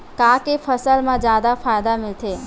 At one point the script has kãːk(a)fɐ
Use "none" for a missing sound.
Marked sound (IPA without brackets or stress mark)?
e